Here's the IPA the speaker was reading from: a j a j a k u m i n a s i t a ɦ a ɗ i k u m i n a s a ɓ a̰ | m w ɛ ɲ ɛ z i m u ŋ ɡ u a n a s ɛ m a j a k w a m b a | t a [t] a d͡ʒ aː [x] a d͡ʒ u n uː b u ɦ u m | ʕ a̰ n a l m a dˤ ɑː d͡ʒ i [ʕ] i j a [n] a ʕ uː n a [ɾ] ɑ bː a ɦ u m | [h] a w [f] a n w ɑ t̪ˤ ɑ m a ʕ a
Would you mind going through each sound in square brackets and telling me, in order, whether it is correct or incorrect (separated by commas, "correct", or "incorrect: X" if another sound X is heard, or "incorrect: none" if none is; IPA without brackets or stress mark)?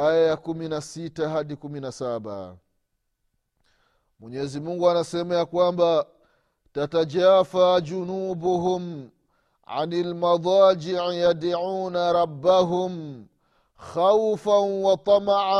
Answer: correct, incorrect: f, correct, incorrect: d, correct, incorrect: x, correct